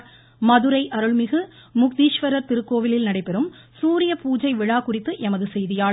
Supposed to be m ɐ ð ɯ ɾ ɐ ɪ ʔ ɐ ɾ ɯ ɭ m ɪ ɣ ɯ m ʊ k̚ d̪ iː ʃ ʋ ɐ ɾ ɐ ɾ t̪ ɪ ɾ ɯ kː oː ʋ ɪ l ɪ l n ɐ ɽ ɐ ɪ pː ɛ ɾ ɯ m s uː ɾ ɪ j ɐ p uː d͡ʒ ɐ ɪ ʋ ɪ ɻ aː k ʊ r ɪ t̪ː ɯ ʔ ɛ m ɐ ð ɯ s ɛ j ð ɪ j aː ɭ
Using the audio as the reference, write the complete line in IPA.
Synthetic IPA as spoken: m ɐ ð ɯ ɾ ɐ ɪ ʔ ɐ ɾ ɯ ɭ m ɪ ɣ ɯ m ʊ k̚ d̪ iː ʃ ʋ ɐ ɾ ɐ ɾ t̪ ɪ ɾ ɯ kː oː ʋ ɪ l ɪ l n ɐ ɽ ɐ ɪ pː ɛ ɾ ɯ m s uː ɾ ɪ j ɐ p uː d͡ʒ ɐ ɪ ʋ ɪ ɻ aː k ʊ r ɪ t̪ː ɯ ʔ ɛ m ɐ ð ɯ s ɛ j ð ɪ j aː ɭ